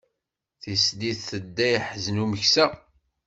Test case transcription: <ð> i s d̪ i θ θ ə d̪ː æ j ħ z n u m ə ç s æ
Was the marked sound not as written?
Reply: yes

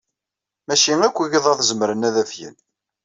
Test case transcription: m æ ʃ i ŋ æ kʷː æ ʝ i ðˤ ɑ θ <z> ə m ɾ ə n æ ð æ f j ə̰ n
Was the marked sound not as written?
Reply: no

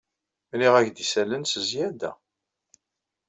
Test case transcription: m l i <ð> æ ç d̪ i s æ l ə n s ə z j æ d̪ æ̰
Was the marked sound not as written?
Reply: yes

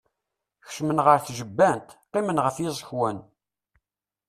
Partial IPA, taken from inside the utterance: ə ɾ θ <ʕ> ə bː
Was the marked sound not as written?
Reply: yes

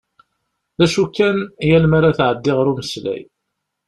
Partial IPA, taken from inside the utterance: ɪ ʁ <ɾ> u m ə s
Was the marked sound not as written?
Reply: no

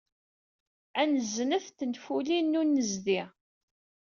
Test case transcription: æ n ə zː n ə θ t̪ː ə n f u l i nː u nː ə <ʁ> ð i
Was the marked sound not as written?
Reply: yes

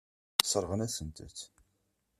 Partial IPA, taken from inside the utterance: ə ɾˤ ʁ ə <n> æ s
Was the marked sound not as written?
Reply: no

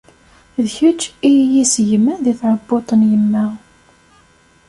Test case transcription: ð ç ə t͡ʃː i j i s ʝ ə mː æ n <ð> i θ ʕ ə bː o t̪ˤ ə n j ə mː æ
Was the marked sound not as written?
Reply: no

